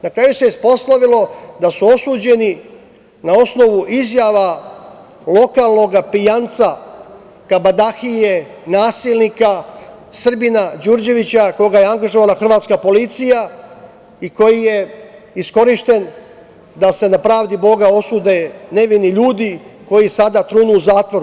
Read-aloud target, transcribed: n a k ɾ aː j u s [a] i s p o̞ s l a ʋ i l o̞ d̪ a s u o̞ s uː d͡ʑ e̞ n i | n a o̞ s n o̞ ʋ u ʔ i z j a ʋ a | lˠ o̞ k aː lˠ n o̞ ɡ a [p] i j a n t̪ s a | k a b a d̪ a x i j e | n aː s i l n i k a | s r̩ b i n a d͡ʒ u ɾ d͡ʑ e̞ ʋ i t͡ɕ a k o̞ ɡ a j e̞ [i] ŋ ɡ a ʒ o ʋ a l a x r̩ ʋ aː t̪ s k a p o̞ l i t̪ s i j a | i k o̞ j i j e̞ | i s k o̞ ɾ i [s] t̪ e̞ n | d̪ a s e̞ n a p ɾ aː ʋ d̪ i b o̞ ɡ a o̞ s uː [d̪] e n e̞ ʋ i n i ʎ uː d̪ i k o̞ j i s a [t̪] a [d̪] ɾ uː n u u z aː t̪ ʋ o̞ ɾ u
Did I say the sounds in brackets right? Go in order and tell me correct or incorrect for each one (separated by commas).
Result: incorrect, correct, incorrect, incorrect, correct, incorrect, incorrect